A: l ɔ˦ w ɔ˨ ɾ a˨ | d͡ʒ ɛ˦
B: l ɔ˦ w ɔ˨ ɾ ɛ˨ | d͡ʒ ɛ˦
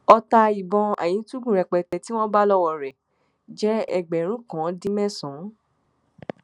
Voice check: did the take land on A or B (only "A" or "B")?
B